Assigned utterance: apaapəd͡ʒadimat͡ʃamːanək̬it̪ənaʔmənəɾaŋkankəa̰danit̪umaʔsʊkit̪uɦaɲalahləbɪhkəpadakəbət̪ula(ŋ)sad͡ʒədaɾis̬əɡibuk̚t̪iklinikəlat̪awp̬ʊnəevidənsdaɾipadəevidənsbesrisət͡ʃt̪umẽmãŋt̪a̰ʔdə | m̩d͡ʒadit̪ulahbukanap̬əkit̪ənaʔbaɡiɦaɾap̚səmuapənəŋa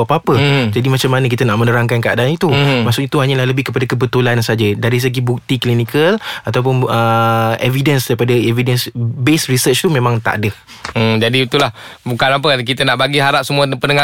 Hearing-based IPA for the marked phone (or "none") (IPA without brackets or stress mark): n